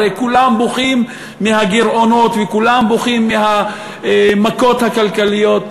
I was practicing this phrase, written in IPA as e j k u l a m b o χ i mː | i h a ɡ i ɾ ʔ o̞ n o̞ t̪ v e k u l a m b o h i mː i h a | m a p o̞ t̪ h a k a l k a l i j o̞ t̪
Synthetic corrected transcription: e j k u l a m b o χ i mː | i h a ɡ i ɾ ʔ o̞ n o̞ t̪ v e k u l a m b o χ i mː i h a | m a k o̞ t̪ h a k a l k a l i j o̞ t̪